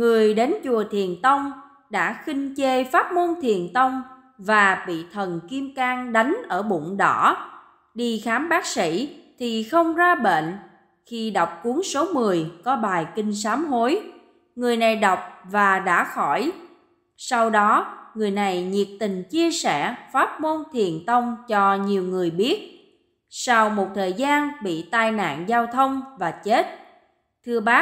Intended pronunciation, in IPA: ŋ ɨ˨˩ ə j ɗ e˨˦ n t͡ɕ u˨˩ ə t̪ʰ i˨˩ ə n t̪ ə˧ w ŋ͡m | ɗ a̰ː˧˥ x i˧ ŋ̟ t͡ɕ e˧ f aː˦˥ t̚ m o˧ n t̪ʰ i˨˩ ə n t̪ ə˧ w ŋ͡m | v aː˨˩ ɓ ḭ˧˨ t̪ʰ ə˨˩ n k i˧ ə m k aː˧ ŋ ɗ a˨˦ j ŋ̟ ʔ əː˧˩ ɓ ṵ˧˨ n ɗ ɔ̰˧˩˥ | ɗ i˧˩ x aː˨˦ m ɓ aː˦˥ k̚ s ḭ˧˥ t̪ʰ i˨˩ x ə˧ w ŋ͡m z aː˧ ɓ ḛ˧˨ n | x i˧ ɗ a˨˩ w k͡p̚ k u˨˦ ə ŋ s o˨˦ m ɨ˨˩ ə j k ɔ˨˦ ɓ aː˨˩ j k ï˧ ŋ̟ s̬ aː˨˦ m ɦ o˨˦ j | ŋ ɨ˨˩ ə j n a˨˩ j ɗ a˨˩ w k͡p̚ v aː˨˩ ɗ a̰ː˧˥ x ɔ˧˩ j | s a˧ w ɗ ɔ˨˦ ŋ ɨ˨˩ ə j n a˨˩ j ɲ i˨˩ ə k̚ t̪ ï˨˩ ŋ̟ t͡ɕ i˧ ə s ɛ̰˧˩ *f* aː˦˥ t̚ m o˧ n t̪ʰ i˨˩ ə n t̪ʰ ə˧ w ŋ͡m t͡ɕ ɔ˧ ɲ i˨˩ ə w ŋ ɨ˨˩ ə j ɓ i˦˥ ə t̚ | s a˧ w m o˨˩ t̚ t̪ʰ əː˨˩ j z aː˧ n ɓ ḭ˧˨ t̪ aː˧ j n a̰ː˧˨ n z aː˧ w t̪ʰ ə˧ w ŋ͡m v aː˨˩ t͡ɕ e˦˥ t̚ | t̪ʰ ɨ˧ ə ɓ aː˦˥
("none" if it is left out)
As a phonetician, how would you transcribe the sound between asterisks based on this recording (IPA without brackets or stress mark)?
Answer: f